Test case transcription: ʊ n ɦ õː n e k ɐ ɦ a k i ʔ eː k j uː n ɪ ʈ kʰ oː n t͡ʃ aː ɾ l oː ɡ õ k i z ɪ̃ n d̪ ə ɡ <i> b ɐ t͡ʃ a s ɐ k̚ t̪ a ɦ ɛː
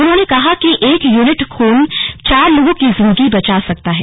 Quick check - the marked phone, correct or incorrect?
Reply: correct